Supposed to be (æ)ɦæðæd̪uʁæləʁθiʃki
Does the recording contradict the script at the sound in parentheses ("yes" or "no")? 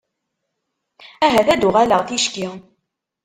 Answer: no